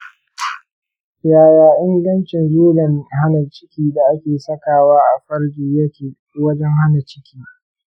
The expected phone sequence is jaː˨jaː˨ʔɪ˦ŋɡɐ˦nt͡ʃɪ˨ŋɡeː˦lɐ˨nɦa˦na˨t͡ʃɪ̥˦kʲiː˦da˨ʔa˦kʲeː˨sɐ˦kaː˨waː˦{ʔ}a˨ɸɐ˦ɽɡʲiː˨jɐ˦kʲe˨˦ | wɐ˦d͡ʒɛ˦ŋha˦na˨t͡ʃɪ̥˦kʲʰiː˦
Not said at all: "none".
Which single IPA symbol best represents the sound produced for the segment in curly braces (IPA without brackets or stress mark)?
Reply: ʔ